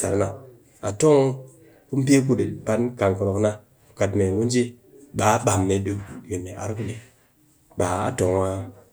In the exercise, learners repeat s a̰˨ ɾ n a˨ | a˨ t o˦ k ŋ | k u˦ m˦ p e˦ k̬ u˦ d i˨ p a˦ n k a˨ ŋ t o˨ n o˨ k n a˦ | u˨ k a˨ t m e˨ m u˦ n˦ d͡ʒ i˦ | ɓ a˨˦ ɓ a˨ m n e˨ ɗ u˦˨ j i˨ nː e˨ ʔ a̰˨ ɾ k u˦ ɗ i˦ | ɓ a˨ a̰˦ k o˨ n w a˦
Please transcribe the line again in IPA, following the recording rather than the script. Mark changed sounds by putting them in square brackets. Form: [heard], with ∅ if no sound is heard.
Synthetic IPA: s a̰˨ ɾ n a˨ | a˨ t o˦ [∅] ŋ | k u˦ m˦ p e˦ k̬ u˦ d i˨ p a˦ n k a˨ ŋ [k] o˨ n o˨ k n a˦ | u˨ k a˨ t m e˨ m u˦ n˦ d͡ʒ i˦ | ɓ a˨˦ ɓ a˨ m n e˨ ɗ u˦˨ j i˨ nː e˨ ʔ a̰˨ ɾ k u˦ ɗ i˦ | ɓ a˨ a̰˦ [t] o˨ [ŋ] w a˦